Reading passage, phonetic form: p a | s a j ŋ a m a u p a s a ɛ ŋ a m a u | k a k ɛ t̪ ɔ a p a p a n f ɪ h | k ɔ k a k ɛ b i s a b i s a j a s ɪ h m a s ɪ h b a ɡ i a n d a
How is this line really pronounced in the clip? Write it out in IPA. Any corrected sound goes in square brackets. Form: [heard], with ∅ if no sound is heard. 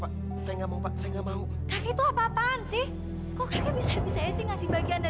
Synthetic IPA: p a | s a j ŋ a m a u p a s a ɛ ŋ a m a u | k a k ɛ t̪ [u] a p a p a n [s] ɪ h | k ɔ k a k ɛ b i s a b i s a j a s ɪ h [ŋ] a s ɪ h b a ɡ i a n d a

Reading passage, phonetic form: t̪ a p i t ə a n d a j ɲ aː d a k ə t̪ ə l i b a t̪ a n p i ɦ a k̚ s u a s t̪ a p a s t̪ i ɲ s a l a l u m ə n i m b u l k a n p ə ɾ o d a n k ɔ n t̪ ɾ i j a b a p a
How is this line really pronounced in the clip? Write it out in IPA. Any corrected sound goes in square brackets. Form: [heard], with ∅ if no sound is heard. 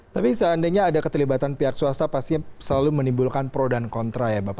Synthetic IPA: t̪ a p i [s] ə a n d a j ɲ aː d a k ə t̪ ə l i b a t̪ a n p i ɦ a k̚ s u a s t̪ a p a s t̪ i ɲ s [ə] l a l u m ə n i m b u l k a n p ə ɾ o d a n k ɔ n t̪ ɾ [a] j a b a p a

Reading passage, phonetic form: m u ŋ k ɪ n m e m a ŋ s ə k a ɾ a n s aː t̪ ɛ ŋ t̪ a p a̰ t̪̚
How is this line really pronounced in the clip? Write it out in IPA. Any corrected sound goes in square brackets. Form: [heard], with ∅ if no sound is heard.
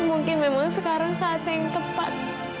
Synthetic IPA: m u ŋ k ɪ n m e m a ŋ s ə k a ɾ a [ŋ] s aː t̪ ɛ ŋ t̪ [ə] p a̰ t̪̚

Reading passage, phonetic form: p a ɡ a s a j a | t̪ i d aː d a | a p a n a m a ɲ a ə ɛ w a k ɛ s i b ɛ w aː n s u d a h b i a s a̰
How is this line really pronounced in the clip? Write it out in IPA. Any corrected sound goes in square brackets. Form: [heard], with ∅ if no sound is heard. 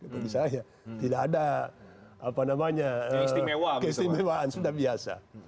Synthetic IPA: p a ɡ [i] s a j a | t̪ i d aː d a | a p a n a m a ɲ a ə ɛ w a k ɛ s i [m] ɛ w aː n s u d a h b i a s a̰

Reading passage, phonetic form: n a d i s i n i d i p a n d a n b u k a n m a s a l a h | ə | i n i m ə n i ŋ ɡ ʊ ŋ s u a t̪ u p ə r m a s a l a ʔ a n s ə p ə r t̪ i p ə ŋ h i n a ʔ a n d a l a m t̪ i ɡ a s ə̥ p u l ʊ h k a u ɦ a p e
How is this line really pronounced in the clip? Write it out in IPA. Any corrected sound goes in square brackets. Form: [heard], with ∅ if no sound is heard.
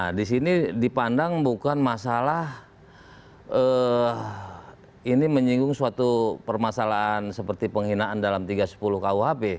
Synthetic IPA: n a d i s i n i d i p a n d a [ŋ] b u k a n m a s a l a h | ə | i n i m ə [ɲ] i ŋ ɡ ʊ ŋ s u a t̪ u p ə r m a s a l a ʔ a n s ə p ə r t̪ i p ə ŋ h i n a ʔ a n d a l a m t̪ i ɡ a s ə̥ p u l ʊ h k a u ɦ a p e

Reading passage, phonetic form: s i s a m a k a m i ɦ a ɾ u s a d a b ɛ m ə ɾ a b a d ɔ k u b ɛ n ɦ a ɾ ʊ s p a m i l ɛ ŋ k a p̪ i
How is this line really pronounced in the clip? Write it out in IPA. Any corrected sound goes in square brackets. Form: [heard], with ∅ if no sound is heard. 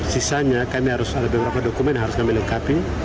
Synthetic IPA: s i s a [ɲ] a k a m i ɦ a ɾ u s a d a b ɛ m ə ɾ a [p] a d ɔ k u [m] ɛ n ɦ a ɾ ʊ s [k] a m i l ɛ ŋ k a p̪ i

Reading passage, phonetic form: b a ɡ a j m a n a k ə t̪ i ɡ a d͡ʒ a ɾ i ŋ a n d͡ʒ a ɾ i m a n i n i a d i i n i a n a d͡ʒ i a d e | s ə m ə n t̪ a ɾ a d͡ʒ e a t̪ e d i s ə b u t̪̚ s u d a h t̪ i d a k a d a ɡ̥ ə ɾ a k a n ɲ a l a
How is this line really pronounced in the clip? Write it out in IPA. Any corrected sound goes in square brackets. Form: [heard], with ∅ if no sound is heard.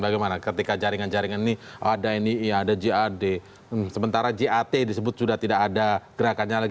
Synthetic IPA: b a ɡ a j m a n a k ə t̪ i [k] a d͡ʒ a ɾ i ŋ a n d͡ʒ a ɾ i [ŋ] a n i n i a d [a] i n i a [d] a d͡ʒ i a d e | s ə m ə n t̪ a ɾ a d͡ʒ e a t̪ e d i s ə b [ʊ] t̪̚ s u d a h t̪ i d a k a d a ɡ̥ ə ɾ a k a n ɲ a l a

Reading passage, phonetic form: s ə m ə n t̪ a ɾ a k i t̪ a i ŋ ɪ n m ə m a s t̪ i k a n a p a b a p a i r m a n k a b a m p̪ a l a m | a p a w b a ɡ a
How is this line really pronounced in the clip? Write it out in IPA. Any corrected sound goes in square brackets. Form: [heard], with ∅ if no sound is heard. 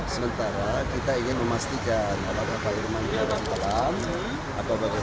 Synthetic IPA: s ə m ə n t̪ a ɾ a k i t̪ a i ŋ ɪ n m ə m a s t̪ i k a n a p a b a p a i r m a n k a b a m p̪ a l a m | a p a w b a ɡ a

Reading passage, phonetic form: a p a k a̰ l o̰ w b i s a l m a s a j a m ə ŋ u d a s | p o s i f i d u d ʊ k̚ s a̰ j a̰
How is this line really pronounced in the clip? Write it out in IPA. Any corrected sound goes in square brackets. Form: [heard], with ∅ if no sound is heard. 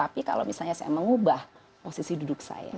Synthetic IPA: a p [i] k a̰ l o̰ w [m] i s a l [ɲ] a s a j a m ə ŋ u [b] a [h] | p o s i [s] i d u d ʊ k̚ s a̰ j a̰

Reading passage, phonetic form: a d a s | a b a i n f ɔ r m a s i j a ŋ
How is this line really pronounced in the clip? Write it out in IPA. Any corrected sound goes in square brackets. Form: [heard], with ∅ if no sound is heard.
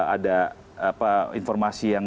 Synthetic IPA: a d a [∅] | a [p] a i n f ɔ r m a s i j a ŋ

